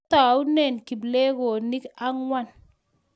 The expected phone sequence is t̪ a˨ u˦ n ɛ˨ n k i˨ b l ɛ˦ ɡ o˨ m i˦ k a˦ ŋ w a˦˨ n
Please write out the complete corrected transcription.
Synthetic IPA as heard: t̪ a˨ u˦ n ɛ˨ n k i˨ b l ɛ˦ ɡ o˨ n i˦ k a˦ ŋ w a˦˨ n